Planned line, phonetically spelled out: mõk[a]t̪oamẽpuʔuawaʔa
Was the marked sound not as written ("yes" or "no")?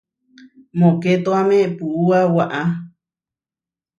yes